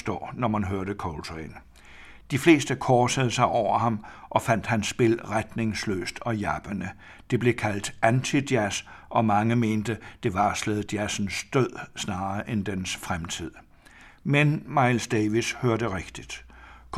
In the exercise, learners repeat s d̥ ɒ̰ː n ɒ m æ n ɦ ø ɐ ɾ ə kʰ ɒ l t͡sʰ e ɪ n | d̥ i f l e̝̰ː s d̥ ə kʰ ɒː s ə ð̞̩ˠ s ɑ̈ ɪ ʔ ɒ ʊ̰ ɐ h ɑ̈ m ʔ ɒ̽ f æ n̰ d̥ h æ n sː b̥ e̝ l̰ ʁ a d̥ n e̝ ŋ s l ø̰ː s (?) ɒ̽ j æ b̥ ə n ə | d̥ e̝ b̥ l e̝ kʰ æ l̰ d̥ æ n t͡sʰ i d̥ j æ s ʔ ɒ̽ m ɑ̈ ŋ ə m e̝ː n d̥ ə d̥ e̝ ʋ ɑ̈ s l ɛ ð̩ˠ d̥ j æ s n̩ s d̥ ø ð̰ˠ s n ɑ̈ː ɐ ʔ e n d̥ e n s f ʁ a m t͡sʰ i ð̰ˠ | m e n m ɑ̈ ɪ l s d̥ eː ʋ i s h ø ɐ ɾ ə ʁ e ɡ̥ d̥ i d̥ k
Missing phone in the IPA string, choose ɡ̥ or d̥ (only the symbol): d̥